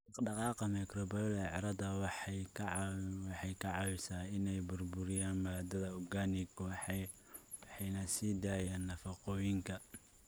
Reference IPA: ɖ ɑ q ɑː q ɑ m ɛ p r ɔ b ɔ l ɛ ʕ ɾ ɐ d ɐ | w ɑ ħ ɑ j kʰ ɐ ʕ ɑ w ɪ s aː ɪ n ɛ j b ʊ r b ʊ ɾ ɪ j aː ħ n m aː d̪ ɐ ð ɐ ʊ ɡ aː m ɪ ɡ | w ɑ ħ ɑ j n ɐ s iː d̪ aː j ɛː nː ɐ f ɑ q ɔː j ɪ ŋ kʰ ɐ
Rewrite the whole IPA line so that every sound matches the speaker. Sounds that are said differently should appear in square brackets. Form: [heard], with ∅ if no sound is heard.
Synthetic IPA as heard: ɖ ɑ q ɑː q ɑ m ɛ [k] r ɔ b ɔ l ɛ ʕ ɾ ɐ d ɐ | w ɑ ħ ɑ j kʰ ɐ ʕ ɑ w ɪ s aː ɪ n ɛ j b ʊ r b ʊ ɾ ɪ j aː [∅] n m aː d̪ ɐ ð ɐ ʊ ɡ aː [n] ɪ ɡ | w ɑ ħ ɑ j n ɐ s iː d̪ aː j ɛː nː ɐ f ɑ q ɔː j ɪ ŋ kʰ ɐ

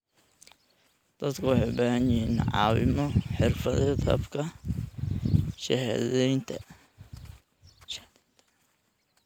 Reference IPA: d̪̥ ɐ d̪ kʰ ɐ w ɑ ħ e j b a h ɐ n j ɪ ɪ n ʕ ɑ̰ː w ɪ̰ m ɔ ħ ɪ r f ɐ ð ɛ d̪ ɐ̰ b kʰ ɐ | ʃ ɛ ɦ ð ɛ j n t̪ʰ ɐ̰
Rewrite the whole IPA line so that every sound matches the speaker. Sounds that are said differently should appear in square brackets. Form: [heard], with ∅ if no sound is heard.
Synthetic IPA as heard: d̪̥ ɐ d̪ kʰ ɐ w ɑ ħ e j b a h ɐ n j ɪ [i] n ʕ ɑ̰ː w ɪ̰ m ɔ ħ ɪ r f ɐ ð ɛ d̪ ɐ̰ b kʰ ɐ | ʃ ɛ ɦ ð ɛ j n t̪ʰ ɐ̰

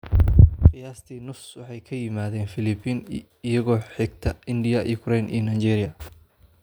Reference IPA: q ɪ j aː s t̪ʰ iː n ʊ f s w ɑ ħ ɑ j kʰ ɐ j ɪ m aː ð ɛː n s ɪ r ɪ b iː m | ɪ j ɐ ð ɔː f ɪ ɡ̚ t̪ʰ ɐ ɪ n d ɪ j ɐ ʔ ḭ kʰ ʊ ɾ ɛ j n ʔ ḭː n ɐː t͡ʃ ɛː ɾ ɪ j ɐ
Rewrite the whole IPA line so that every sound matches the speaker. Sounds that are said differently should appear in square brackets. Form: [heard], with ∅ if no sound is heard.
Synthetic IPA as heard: q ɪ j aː s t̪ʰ iː n ʊ f s w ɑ ħ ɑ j kʰ ɐ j ɪ m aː ð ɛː n [f] ɪ [l] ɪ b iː [n] | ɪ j ɐ [ɣ] ɔː [ħ] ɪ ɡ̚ t̪ʰ ɐ ɪ n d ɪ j ɐ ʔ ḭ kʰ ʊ ɾ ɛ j n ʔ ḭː n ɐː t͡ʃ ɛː ɾ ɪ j ɐ

